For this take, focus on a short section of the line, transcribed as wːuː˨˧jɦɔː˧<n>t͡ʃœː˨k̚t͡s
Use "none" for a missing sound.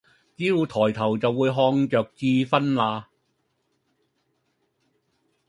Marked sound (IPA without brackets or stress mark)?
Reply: ŋ